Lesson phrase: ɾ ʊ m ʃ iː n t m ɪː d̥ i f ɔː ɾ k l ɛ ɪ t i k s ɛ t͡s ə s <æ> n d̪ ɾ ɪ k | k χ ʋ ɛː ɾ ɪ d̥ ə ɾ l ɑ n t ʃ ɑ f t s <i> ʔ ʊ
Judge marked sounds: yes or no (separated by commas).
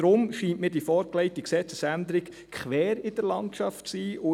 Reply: yes, no